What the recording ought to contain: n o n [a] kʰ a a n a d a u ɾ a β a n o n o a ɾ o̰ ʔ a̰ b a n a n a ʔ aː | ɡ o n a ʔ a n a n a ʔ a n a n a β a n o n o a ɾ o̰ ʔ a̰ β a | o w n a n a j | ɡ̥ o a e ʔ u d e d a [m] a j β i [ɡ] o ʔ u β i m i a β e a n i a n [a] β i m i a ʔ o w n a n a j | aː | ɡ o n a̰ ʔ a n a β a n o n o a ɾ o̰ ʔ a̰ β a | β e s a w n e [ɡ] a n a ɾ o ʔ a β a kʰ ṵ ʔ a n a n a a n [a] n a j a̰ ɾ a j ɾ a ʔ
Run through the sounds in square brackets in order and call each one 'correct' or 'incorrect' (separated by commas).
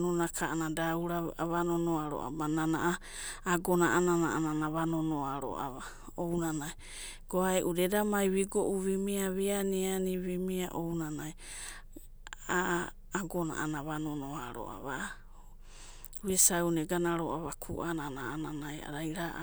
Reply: correct, correct, correct, incorrect, correct, correct